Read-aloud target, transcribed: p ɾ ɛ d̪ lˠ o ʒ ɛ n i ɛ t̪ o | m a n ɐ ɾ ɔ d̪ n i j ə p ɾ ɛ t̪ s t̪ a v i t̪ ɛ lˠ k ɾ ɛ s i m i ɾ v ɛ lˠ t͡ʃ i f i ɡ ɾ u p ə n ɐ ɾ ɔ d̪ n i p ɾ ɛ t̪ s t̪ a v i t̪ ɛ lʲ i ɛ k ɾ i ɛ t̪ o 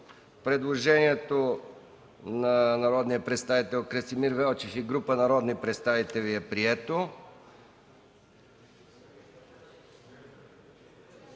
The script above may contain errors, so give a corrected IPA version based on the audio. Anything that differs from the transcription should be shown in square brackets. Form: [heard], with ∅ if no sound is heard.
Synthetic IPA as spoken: p ɾ ɛ d̪ lˠ o ʒ ɛ n i ɛ t̪ o | [n] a n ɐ ɾ ɔ d̪ n i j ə p ɾ ɛ t̪ s t̪ a v i t̪ ɛ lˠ k ɾ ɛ s i m i ɾ v ɛ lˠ t͡ʃ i f i ɡ ɾ u p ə n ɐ ɾ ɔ d̪ n i p ɾ ɛ t̪ s t̪ a v i t̪ ɛ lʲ i ɛ [p] ɾ i ɛ t̪ o